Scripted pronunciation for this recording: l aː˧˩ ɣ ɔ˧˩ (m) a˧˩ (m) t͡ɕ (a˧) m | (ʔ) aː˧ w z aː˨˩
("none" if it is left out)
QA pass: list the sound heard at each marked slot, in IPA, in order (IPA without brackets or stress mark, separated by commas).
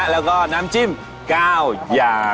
n, m, i˧, k